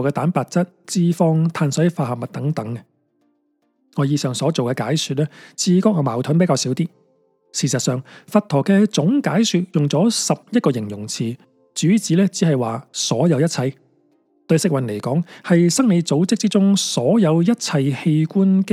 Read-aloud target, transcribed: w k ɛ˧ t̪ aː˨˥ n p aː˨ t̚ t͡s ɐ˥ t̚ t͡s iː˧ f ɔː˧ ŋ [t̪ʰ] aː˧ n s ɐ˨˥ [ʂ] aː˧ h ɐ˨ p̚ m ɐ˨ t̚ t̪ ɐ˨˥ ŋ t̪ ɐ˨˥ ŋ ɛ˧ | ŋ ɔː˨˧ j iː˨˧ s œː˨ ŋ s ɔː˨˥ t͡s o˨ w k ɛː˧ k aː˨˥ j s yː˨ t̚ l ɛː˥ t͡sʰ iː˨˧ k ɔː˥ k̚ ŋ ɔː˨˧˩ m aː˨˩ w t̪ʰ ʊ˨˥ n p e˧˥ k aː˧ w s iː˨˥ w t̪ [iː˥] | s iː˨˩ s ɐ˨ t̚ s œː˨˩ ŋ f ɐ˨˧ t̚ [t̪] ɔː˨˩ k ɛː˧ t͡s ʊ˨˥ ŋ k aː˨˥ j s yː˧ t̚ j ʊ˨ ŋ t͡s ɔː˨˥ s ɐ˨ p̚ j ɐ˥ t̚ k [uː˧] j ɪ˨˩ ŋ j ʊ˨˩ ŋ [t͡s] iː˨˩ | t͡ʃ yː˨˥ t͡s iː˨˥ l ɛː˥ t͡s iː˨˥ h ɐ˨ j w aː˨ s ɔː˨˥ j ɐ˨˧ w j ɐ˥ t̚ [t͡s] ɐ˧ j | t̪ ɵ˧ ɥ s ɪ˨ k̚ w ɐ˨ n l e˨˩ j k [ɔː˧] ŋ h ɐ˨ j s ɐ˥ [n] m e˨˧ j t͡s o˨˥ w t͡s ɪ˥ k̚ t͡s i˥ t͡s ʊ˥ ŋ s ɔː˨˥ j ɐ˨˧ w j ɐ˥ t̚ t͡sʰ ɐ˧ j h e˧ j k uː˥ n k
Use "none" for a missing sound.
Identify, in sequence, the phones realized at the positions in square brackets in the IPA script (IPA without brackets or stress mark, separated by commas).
t̪ʰ, f, iː˥, t̪ʰ, ɔː˧, t͡sʰ, t͡sʰ, ɔː˨˥, ŋ